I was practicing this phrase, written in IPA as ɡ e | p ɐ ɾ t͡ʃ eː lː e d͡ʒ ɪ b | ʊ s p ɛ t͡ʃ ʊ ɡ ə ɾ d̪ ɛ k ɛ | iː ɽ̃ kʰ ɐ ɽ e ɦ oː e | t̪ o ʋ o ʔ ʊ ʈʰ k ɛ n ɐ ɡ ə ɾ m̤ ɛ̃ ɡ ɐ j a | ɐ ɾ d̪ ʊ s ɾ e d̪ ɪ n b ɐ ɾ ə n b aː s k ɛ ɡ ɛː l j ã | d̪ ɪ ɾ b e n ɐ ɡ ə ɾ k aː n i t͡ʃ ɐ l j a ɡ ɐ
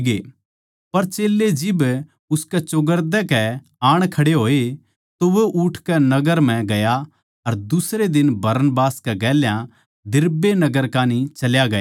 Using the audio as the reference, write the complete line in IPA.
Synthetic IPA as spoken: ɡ e | p ɐ ɾ t͡ʃ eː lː e d͡ʒ ɪ b | ʊ s k ɛ t͡ʃ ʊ ɡ ə ɾ d̪ ɛ k ɛ | aː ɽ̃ kʰ ɐ ɽ e ɦ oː e | t̪ o ʋ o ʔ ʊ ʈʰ k ɛ n ɐ ɡ ə ɾ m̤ ɛ̃ ɡ ɐ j a | ɐ ɾ d̪ ʊ s ɾ e d̪ ɪ n b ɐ ɾ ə n b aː s k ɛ ɡ ɛː l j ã | d̪ ɪ ɾ b e n ɐ ɡ ə ɾ k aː n i t͡ʃ ɐ l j a ɡ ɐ